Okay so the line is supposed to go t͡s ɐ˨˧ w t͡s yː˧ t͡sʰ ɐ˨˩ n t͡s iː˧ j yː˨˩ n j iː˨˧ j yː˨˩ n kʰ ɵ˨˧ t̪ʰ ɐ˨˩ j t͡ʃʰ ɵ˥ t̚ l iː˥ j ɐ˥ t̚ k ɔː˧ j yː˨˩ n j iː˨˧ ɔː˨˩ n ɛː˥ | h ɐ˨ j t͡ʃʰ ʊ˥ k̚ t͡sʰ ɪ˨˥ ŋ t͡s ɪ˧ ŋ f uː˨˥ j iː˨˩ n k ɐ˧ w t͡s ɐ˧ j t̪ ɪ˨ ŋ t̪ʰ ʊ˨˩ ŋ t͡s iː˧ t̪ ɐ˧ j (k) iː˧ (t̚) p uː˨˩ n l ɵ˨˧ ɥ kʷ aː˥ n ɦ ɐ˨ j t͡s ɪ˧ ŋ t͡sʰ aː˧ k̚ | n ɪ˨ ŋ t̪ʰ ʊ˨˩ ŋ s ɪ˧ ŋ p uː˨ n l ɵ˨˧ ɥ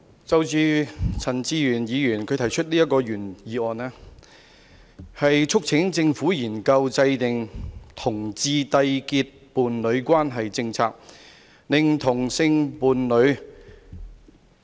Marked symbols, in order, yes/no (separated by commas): yes, yes